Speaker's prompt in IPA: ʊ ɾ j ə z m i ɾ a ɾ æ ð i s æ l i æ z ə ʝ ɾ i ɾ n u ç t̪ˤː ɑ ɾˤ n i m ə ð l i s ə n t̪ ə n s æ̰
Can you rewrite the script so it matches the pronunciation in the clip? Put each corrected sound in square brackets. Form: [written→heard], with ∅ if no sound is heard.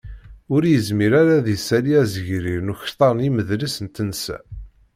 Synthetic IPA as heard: ʊ ɾ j ə z m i ɾ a ɾ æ ð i s æ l i æ z ə ʝ ɾ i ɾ n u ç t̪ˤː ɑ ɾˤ n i m ə ð l i s ə n t̪ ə n s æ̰